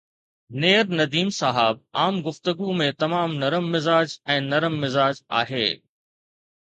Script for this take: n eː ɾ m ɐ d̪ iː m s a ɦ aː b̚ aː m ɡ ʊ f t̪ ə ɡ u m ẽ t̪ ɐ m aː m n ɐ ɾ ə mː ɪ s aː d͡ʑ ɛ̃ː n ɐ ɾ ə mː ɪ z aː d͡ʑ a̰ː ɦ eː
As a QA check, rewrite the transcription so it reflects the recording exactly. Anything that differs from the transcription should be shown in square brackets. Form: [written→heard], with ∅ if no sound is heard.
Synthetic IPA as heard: n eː ɾ [m→n] ɐ d̪ iː m s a ɦ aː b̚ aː m ɡ ʊ f t̪ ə ɡ u m ẽ t̪ ɐ m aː m n ɐ ɾ ə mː ɪ [s→z] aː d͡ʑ ɛ̃ː n ɐ ɾ ə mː ɪ z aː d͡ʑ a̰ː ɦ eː